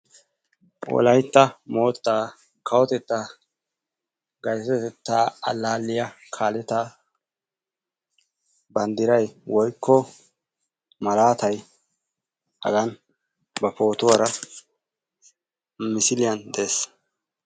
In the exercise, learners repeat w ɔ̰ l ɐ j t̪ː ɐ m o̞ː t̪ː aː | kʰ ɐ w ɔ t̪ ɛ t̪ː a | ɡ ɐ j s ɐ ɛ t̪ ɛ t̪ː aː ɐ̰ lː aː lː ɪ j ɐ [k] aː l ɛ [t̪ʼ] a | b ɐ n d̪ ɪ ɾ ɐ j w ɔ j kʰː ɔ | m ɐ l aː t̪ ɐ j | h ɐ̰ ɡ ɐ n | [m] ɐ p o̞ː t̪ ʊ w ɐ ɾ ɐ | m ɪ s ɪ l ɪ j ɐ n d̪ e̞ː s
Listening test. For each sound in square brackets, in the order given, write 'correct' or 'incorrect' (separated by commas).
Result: incorrect, incorrect, incorrect